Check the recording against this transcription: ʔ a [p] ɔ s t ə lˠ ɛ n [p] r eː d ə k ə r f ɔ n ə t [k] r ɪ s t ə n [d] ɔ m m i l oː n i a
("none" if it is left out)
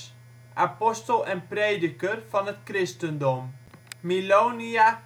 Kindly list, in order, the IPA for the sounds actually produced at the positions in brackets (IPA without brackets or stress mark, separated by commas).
p, p, k, d